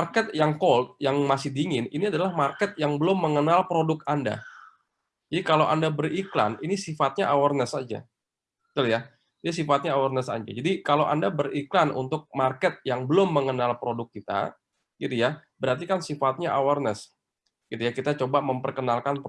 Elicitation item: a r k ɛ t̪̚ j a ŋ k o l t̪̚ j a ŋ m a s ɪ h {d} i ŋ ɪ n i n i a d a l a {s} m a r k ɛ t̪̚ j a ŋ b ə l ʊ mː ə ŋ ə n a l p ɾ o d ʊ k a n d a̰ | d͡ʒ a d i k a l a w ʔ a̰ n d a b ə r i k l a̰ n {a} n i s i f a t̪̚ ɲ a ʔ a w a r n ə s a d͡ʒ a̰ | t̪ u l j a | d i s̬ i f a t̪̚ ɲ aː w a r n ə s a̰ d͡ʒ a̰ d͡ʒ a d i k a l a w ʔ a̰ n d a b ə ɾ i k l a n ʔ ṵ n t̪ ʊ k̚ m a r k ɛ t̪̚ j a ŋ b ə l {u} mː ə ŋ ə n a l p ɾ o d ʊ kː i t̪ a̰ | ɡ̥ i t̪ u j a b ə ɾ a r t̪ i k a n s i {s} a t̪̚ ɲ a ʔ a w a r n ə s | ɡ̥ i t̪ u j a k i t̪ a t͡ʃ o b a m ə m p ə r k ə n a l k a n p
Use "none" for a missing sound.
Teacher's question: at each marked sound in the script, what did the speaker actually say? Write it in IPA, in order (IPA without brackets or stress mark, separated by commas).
d, h, i, ʊ, f